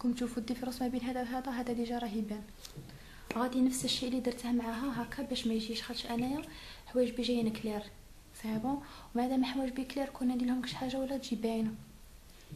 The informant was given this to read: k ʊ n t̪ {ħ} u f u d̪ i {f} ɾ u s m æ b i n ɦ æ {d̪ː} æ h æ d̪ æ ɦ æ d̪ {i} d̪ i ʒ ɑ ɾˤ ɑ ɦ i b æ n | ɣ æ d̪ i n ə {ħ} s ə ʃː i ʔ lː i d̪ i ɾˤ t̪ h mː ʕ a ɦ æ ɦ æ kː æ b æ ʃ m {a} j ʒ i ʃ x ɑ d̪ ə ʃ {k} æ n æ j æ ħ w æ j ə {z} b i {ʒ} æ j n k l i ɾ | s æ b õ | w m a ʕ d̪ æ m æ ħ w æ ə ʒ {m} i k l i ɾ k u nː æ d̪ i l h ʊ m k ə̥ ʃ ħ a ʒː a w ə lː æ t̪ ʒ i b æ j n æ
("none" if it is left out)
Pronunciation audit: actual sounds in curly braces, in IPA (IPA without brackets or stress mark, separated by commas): ʃ, f, d̪, æ, f, æ, ʔ, ʒ, ʒ, b